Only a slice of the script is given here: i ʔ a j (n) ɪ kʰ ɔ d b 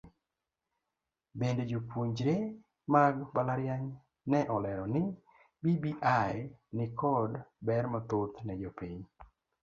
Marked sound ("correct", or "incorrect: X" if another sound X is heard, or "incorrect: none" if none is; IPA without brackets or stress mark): correct